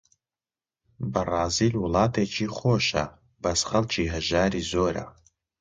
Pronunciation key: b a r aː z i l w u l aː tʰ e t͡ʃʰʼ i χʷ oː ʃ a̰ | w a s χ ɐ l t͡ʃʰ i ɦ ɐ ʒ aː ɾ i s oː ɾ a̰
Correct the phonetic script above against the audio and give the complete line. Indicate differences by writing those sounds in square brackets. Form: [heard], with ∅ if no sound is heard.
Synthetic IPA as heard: b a r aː z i l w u l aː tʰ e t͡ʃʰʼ i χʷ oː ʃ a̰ | [b] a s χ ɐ l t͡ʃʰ i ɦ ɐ ʒ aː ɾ i [z] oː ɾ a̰